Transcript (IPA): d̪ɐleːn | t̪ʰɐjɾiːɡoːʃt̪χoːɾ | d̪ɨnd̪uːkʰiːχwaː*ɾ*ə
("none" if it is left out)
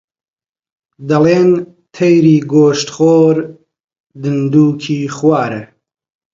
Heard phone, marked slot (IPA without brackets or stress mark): ɾ